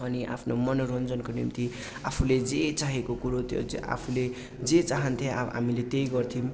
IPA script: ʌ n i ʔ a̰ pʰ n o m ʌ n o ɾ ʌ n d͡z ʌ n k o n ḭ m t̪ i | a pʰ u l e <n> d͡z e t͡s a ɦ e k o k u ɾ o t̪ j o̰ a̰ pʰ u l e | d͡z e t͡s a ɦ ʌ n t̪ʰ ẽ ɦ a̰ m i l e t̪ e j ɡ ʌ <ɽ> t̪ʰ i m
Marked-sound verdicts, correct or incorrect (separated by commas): incorrect, incorrect